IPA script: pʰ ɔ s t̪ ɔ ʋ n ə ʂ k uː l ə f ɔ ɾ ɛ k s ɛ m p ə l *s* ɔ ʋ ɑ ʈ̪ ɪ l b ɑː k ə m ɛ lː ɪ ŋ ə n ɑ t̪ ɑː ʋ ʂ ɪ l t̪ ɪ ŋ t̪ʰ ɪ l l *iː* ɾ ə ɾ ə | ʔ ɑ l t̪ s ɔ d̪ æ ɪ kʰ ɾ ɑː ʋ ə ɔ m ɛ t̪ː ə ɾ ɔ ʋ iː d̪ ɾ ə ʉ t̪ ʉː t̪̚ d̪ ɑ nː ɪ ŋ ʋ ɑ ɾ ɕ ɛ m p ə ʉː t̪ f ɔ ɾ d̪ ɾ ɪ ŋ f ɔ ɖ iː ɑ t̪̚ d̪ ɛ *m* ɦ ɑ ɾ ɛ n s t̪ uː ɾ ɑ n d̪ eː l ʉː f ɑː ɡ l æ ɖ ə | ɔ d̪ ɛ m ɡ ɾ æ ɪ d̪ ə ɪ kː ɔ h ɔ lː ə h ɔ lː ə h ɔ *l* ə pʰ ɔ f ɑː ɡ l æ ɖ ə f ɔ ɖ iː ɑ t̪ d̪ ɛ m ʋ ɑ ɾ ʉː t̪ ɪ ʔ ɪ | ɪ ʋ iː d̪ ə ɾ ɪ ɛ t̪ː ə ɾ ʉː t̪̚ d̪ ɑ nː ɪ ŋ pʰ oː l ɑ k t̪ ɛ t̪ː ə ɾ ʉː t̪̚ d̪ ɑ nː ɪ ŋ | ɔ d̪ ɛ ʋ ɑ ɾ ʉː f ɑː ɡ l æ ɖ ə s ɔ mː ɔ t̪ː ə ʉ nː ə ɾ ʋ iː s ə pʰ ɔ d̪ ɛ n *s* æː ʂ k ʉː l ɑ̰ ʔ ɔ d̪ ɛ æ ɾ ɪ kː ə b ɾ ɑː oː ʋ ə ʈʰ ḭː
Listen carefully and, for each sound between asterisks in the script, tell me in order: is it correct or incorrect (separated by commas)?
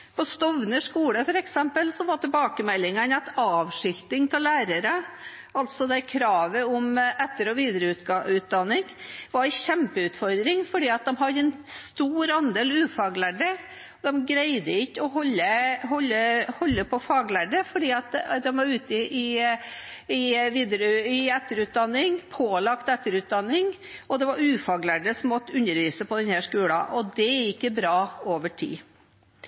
correct, incorrect, correct, incorrect, incorrect